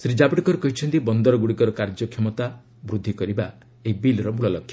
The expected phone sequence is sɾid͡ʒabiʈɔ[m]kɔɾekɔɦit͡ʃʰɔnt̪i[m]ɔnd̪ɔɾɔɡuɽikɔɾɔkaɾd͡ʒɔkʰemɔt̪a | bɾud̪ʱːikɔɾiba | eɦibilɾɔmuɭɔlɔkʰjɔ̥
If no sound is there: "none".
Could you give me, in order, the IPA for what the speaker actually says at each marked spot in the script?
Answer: none, b

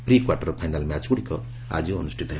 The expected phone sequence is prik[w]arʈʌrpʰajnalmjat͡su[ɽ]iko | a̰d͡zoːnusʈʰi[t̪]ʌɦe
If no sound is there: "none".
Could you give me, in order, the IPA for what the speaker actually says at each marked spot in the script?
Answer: w, ɽ, t̪

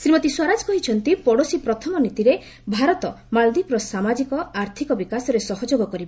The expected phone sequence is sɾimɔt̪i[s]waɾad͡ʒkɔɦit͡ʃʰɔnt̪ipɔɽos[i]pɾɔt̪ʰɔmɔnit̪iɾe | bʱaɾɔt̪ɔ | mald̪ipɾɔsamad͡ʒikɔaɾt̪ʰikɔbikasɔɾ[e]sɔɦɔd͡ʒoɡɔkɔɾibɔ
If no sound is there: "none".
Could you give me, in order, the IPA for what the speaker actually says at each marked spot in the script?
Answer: s, i, e

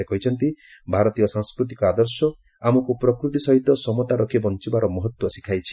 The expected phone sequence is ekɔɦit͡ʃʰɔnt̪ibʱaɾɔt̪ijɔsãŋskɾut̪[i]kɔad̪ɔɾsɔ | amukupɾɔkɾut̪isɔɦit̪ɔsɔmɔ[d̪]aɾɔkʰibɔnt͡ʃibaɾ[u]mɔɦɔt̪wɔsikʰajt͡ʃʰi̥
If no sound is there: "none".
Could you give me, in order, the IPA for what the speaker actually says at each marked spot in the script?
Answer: i, t̪, ɔ

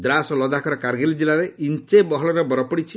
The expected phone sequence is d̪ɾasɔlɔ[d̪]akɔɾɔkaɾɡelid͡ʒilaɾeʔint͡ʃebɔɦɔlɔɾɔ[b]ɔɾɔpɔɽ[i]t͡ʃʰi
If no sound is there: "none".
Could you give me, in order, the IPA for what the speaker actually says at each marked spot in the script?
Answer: d̪, b, i

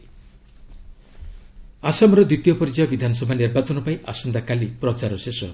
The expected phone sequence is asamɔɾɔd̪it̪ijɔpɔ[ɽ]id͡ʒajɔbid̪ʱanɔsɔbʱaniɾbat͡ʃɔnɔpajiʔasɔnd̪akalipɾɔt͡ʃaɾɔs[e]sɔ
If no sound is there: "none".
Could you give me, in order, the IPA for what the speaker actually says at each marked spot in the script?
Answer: ɾ, e

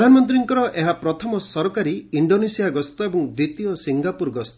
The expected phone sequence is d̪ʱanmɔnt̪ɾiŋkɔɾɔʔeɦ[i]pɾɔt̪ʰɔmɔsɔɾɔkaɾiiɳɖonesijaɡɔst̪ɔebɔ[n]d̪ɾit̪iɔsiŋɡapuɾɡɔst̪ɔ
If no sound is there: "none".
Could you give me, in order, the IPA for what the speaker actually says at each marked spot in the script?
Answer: a, ŋ

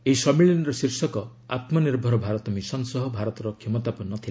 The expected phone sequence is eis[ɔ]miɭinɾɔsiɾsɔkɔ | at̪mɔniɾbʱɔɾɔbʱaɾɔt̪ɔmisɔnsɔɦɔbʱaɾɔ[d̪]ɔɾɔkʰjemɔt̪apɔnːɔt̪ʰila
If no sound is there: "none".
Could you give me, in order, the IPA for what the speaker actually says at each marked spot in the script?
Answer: ɔ, t̪

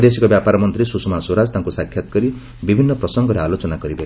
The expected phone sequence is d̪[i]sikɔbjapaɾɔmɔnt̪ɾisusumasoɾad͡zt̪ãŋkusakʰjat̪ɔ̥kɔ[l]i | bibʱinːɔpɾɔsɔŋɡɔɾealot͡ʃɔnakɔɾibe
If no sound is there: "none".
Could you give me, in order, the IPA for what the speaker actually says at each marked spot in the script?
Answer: e, ɾ

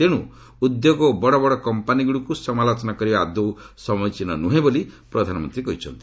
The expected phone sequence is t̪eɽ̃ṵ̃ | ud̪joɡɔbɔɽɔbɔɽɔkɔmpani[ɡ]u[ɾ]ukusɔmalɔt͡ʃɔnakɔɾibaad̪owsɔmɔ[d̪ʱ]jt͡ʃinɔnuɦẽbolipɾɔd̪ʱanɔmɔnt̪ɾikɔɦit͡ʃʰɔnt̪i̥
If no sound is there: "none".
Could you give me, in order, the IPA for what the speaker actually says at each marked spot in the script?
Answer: ɡ, ɽ, none

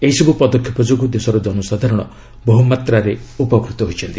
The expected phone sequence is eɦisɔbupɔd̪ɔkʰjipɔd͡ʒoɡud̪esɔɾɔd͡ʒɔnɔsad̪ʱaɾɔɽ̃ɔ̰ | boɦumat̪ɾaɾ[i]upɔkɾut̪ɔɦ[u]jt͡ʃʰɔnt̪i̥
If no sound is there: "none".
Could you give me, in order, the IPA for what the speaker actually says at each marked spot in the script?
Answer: e, o

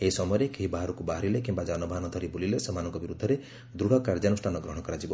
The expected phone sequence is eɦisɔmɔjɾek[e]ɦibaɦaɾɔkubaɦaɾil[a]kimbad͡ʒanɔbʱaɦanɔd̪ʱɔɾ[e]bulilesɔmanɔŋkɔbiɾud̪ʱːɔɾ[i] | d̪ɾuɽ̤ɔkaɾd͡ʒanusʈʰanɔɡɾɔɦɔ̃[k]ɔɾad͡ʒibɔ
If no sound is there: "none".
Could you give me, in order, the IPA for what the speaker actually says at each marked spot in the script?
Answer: e, e, i, e, k

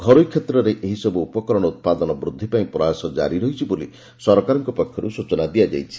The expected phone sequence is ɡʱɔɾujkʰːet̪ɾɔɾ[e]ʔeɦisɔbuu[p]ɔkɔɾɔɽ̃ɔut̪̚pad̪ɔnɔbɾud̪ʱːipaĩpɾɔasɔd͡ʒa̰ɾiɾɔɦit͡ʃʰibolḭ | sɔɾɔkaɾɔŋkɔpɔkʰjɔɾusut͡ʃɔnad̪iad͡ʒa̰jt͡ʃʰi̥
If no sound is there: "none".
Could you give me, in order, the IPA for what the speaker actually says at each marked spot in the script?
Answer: e, p

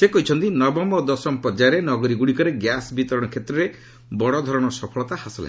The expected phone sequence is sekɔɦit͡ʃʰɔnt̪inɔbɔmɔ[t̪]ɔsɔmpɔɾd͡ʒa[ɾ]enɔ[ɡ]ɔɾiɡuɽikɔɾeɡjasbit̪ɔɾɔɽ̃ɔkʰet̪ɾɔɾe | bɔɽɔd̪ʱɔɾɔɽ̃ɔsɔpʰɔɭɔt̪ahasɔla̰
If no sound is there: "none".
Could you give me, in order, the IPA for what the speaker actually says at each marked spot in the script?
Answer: d̪, ɾ, ɡ

